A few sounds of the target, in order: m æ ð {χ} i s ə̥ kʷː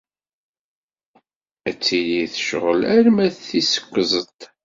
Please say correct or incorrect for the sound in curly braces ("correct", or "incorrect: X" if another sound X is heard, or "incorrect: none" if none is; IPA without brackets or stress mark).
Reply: incorrect: θ